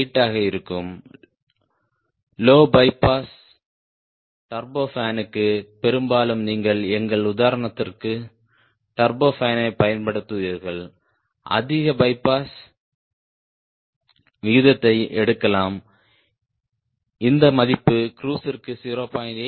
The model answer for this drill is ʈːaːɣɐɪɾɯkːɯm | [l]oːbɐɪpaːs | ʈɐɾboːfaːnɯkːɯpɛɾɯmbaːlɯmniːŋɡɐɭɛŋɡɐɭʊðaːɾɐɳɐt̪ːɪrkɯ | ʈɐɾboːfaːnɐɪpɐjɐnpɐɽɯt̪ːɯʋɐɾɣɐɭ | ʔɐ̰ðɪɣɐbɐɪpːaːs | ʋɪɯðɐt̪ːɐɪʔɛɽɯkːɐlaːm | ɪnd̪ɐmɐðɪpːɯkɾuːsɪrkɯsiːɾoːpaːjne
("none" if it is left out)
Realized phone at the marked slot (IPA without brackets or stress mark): l